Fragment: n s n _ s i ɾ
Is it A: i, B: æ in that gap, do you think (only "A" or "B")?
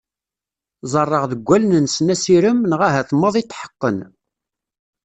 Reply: B